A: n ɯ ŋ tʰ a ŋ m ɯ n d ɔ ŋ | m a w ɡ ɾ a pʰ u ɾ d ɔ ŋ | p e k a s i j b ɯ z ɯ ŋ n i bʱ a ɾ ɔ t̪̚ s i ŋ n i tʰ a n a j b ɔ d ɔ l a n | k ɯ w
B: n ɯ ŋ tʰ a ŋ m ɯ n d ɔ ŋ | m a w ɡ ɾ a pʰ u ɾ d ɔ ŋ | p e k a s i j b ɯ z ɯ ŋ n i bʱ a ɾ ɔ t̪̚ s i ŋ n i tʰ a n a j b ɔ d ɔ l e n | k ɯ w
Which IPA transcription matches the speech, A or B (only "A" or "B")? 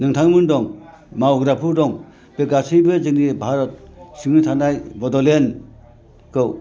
B